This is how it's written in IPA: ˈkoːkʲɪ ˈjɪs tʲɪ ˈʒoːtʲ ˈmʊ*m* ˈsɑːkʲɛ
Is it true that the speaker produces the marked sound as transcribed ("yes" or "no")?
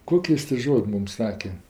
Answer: yes